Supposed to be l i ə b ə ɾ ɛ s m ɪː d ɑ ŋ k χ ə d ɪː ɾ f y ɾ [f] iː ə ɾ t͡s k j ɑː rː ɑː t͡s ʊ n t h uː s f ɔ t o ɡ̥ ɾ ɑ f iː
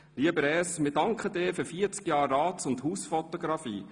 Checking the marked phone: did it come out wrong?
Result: no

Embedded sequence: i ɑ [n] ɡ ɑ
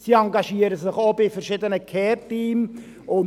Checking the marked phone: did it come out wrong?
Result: yes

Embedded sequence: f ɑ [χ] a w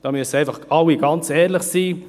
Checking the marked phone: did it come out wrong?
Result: no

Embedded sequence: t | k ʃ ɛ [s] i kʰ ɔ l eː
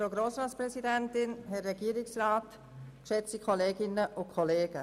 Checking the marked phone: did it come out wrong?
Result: yes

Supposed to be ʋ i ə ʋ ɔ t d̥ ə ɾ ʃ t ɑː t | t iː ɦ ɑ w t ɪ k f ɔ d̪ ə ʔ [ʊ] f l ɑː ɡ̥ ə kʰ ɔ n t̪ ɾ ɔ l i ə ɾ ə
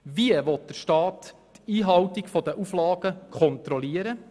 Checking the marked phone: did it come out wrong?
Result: yes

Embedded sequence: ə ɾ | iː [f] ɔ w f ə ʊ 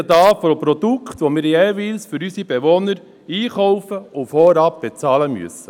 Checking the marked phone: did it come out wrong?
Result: yes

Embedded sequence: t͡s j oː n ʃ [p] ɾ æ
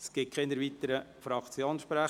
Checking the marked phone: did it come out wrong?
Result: no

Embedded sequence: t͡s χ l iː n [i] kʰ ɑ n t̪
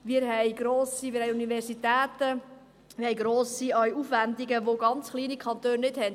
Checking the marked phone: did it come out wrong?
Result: no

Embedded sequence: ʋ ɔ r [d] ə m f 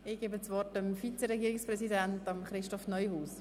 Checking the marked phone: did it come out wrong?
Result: yes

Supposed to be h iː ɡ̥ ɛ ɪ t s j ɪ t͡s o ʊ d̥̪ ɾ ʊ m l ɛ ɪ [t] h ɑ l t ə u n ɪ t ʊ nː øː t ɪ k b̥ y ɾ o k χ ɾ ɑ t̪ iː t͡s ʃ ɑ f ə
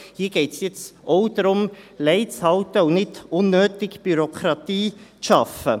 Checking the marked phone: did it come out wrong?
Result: yes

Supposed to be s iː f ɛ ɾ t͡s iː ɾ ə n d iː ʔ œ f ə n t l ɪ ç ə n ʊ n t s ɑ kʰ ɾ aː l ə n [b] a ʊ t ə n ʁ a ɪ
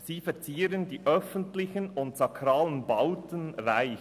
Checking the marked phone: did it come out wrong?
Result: no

